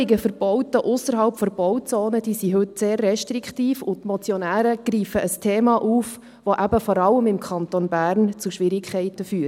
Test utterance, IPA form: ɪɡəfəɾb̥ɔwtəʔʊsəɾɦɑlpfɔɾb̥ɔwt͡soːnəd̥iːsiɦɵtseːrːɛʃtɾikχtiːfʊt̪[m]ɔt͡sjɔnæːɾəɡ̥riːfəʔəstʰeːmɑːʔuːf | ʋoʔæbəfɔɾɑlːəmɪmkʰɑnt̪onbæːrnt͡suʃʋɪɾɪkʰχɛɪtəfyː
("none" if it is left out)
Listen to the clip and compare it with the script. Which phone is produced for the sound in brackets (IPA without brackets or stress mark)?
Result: m